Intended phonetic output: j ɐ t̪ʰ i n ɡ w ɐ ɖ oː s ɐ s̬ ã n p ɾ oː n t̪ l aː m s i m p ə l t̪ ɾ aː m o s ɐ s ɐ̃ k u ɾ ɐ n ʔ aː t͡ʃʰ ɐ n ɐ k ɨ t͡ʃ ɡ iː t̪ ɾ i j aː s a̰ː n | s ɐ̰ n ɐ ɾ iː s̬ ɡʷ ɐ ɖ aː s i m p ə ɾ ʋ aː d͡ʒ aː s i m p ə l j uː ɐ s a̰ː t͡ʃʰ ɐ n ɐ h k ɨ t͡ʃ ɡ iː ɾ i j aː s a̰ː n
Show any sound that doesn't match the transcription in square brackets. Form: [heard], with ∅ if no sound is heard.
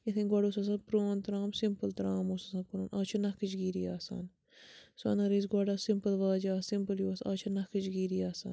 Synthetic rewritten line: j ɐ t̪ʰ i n ɡ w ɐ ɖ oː s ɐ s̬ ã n p ɾ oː n t̪ [ɾ] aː m s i m p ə l t̪ ɾ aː m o s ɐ s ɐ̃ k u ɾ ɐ n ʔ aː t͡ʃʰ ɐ n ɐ k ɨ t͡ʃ ɡ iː [∅] ɾ i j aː s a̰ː n | s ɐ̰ n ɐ ɾ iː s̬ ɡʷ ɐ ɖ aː s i m p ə [l] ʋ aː d͡ʒ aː s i m p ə l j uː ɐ s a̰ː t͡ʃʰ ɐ n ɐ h k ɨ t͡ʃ ɡ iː ɾ i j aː s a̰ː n